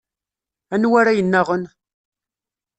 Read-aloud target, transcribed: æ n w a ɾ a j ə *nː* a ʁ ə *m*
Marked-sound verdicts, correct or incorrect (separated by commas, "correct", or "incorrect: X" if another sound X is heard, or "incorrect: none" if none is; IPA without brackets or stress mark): correct, incorrect: n